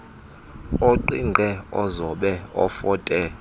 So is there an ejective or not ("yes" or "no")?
yes